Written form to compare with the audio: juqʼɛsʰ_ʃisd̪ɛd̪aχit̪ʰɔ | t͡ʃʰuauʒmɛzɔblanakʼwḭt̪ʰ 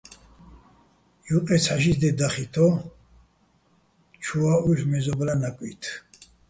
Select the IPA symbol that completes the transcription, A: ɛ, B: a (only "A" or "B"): B